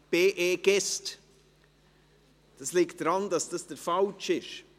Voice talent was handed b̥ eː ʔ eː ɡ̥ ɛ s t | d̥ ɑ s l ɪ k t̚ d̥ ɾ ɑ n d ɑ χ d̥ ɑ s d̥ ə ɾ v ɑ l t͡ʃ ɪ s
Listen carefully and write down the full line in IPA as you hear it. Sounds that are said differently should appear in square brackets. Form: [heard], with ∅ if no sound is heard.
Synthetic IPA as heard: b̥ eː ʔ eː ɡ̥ ɛ s t | d̥ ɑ s l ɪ k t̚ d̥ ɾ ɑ n d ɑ [s] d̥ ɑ s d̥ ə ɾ [f] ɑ l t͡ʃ ɪ [ʃ]